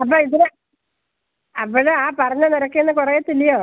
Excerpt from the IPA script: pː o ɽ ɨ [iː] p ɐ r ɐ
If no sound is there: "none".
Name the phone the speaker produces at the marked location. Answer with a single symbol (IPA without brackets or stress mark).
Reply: aː